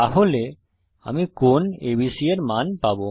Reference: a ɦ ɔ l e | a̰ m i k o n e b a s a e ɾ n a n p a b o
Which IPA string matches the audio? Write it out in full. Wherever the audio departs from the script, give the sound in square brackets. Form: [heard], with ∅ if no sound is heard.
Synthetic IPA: a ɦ [o] l e | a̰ m i k o n e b [i] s [i] e ɾ [m] a n p a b o